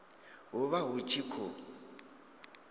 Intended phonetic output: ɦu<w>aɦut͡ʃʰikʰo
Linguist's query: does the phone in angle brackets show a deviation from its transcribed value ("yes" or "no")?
yes